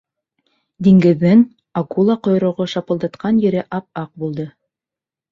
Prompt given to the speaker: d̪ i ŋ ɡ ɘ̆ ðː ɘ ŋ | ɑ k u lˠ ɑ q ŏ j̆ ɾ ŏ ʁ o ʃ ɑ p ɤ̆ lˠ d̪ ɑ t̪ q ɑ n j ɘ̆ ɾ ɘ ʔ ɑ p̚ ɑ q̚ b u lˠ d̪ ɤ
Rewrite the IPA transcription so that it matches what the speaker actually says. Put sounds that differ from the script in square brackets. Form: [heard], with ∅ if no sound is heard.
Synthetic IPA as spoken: d̪ i ŋ ɡ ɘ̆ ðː ɘ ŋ | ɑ k u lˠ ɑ q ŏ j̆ ɾ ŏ ʁ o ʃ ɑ p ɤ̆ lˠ d̪ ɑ t̪ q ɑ n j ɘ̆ ɾ ɘ ʔ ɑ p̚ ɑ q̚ b u lˠ d̪ ɤ